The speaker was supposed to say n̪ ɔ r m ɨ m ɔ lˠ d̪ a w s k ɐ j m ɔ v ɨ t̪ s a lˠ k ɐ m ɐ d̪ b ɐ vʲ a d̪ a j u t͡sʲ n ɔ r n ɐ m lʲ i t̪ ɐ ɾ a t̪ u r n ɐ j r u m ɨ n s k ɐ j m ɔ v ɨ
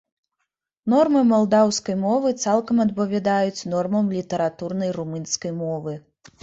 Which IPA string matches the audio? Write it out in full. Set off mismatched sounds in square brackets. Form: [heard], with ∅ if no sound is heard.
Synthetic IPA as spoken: n̪ ɔ r m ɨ m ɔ lˠ d̪ a w s k ɐ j m ɔ v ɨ t̪ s a lˠ k ɐ m ɐ d̪ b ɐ vʲ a d̪ a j u t͡sʲ n ɔ r [m] ɐ m lʲ i t̪ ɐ ɾ a t̪ u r n ɐ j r u m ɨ n s k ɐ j m ɔ v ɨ